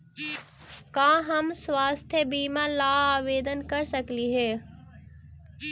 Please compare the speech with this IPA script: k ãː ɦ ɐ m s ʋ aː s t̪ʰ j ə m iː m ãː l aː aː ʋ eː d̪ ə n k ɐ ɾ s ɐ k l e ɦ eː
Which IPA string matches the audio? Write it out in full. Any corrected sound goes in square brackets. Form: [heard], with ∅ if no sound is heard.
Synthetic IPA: k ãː ɦ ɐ m s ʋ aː s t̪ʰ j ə [b] iː m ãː l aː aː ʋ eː d̪ ə n k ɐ ɾ s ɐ k l [i] ɦ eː

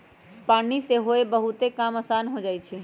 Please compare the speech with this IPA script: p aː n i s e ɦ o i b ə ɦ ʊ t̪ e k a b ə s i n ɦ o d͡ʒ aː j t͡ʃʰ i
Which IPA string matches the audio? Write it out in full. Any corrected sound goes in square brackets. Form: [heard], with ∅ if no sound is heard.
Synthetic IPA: p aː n i s e ɦ o [e] b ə ɦ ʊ t̪ e k a [m] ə s [a] n ɦ o d͡ʒ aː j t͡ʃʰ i

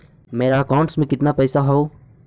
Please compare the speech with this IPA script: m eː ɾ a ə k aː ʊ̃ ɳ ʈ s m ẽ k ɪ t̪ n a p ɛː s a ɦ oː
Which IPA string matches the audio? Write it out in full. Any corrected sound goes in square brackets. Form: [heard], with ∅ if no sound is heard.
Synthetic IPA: m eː ɾ a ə k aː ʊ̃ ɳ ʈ s m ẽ k ɪ t̪ n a p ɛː s a ɦ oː

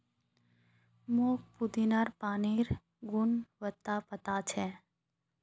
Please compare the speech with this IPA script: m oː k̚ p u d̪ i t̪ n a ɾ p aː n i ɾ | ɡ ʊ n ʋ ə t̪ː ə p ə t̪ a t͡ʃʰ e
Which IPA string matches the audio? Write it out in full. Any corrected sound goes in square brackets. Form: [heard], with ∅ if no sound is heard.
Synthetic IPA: m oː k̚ p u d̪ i [∅] n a ɾ p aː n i ɾ | ɡ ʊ n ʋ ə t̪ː [a] p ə t̪ a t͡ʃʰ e

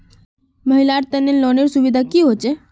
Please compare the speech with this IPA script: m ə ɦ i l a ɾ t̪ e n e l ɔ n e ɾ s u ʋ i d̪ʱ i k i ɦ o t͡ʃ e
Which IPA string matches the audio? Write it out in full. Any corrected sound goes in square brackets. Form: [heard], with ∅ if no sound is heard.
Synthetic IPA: m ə ɦ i l a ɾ t̪ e n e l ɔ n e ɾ s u ʋ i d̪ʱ [a] k i ɦ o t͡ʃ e

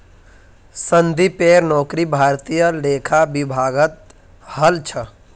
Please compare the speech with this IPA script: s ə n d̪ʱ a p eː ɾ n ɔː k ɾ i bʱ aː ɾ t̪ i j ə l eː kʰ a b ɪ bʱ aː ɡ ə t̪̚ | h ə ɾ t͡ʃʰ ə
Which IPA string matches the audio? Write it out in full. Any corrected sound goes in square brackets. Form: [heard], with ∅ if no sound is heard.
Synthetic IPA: s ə n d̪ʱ [i] p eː ɾ n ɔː k ɾ i bʱ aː ɾ t̪ i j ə l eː kʰ a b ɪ bʱ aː ɡ ə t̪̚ | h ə [l] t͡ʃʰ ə

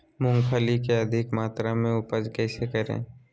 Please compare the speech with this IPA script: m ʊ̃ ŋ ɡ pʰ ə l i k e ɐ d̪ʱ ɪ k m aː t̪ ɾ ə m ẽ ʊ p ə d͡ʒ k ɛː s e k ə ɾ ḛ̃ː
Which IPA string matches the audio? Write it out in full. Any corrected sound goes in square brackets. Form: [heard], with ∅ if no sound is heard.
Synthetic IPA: m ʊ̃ ŋ ɡ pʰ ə l i k e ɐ d̪ʱ ɪ k m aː t̪ ɾ [a] m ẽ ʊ p ə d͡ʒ k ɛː s e k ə ɾ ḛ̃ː

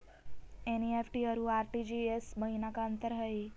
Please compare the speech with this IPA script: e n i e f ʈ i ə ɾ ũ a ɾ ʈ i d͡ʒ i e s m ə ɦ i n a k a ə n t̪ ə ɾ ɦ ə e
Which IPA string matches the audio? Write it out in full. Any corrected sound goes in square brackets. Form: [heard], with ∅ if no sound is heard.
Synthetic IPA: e n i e f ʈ i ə ɾ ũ a ɾ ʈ i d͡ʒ i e s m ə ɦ i n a k a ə n t̪ ə ɾ ɦ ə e

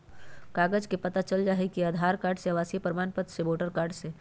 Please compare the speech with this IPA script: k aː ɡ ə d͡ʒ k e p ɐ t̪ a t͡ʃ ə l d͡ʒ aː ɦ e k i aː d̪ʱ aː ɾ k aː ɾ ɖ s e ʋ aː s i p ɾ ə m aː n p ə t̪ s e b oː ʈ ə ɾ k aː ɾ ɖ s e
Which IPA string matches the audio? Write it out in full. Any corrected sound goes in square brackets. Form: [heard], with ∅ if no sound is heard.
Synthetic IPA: k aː ɡ ə d͡ʒ k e p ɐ t̪ a t͡ʃ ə l d͡ʒ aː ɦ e k i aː d̪ʱ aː ɾ k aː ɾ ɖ s e ʋ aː s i p ɾ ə m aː n p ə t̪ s e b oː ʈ ə ɾ k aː ɾ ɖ s e

